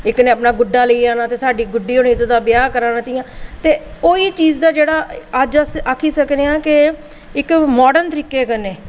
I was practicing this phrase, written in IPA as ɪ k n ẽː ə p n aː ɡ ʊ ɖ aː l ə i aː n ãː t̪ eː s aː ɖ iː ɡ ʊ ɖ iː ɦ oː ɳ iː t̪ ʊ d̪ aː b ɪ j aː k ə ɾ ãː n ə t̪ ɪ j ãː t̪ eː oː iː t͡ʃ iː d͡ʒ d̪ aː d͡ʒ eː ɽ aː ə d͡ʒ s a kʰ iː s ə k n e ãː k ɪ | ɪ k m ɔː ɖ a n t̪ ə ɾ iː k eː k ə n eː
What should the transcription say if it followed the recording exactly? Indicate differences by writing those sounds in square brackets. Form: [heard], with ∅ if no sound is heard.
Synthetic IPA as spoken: ɪ k n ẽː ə p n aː ɡ ʊ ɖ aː l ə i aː n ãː t̪ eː s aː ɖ iː ɡ ʊ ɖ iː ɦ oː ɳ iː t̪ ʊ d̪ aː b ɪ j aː k ə ɾ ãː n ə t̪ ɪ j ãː t̪ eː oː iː t͡ʃ iː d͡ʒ d̪ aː d͡ʒ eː ɽ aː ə d͡ʒ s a kʰ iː s ə k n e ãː k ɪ | ɪ k m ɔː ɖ [ə] n t̪ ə ɾ iː k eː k ə n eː